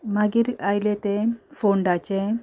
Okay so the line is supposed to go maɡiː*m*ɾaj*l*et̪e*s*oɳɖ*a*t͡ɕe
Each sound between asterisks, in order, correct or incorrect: incorrect, correct, incorrect, correct

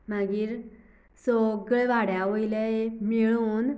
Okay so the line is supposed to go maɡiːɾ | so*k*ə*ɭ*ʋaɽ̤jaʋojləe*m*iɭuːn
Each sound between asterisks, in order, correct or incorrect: incorrect, correct, correct

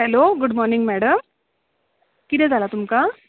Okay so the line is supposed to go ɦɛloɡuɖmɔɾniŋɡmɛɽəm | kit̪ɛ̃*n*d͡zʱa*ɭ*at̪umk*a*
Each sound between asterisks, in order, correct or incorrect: incorrect, incorrect, correct

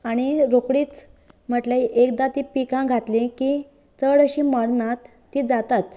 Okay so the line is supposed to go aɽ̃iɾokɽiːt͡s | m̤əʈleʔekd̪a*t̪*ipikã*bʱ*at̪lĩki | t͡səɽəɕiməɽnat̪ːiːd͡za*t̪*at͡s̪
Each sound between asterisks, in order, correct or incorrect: correct, incorrect, correct

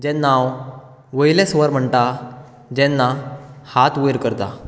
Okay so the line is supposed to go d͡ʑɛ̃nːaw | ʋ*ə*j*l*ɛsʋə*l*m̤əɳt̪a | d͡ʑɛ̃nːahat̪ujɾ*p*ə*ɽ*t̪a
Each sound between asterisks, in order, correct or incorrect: correct, correct, incorrect, incorrect, incorrect

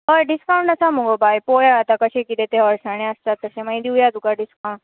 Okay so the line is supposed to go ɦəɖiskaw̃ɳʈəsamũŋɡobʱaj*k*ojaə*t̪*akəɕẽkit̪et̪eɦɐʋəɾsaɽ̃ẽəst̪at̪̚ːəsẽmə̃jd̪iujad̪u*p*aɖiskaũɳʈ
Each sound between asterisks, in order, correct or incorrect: incorrect, correct, incorrect

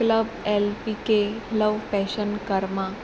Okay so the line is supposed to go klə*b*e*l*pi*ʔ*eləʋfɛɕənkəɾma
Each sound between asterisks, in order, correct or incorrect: correct, correct, incorrect

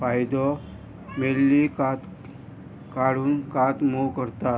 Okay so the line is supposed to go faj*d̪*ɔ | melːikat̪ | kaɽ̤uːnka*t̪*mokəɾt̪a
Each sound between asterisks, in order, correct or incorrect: correct, correct

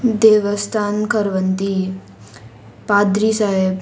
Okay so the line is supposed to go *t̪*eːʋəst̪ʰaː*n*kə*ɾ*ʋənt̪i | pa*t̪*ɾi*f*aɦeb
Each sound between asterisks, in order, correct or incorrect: incorrect, correct, correct, incorrect, incorrect

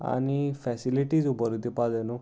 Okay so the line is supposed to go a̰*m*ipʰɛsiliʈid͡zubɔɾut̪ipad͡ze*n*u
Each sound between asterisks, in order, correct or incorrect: incorrect, correct

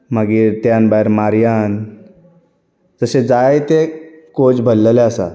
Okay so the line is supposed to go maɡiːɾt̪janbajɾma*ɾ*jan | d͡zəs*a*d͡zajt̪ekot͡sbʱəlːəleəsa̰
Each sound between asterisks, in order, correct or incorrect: correct, incorrect

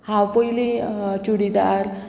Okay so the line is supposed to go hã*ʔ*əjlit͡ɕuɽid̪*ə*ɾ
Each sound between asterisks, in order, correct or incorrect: incorrect, incorrect

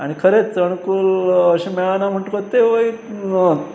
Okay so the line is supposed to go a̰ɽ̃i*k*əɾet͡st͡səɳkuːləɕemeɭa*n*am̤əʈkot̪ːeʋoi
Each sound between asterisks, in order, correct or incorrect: incorrect, correct

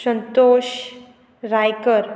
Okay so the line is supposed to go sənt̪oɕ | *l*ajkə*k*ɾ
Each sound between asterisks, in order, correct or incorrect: incorrect, incorrect

